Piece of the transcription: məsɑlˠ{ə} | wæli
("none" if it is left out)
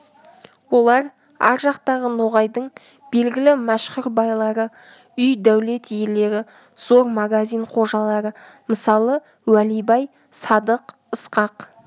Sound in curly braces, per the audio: ə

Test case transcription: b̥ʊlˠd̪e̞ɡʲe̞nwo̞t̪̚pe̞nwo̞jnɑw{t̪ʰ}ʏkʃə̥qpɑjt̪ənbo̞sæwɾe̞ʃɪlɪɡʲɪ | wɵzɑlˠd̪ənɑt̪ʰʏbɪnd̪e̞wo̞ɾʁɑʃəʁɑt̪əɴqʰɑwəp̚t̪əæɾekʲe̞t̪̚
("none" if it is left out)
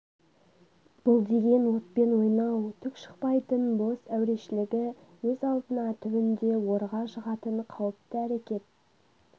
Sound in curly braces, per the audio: t̪ʰ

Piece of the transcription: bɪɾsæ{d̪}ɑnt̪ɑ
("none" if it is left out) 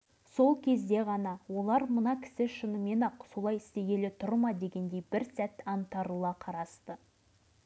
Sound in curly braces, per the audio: t̪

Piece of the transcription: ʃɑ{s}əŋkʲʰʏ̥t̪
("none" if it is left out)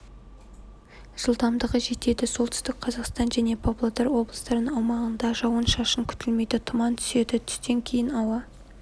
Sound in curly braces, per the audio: ʃ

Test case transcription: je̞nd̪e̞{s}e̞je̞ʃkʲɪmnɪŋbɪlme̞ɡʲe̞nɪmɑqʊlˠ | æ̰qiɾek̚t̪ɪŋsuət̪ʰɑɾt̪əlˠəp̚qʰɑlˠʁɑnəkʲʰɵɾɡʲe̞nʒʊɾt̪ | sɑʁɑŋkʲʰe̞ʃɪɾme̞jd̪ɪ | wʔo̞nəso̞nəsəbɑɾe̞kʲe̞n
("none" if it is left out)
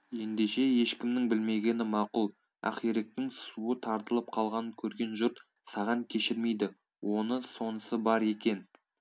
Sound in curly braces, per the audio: ʃ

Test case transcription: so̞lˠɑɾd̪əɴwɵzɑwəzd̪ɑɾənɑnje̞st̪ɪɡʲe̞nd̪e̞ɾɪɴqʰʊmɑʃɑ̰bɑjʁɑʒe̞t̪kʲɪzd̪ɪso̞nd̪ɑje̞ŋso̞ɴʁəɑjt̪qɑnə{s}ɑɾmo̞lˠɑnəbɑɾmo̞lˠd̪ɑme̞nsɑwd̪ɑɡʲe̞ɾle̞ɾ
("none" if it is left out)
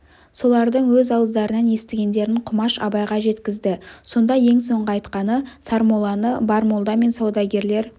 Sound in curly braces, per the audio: s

